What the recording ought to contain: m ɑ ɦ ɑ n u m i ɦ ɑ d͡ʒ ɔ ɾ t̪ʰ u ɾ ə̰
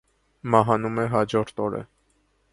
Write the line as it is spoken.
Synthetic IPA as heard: m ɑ ɦ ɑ n u m ɛ ɦ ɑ d͡ʒ ɔ ɾ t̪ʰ ɔ ɾ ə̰